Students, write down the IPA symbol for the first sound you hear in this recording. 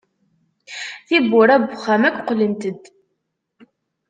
θ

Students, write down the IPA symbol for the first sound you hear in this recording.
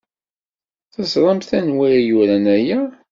θ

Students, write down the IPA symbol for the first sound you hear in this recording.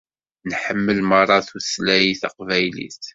n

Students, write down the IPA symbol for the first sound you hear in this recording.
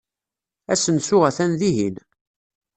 æ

